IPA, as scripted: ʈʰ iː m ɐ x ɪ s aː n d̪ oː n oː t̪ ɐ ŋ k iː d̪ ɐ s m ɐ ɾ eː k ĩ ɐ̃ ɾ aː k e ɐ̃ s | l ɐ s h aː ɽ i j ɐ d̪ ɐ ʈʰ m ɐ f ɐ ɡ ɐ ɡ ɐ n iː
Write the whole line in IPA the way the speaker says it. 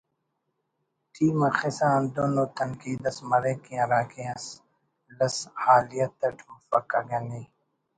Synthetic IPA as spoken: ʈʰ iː m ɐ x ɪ s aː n d̪ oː n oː t̪ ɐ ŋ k iː d̪ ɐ s m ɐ ɾ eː k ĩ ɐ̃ ɾ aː k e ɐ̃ s | l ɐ s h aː l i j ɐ t̪ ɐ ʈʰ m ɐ f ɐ k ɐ ɡ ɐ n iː